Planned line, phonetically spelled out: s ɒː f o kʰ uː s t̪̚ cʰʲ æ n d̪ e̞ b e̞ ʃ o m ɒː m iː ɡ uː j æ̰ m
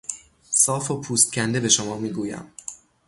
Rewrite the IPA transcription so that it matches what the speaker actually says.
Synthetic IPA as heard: s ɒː f o pʰ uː s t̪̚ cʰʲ æ n d̪ e̞ b e̞ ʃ o m ɒː m iː ɡ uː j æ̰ m